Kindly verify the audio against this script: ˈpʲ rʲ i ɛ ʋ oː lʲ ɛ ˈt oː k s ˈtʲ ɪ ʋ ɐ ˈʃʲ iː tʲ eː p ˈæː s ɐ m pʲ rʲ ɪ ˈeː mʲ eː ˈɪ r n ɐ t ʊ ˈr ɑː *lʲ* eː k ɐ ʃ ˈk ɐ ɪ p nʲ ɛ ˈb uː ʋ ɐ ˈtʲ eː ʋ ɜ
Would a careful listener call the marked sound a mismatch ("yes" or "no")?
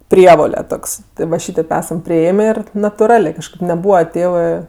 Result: no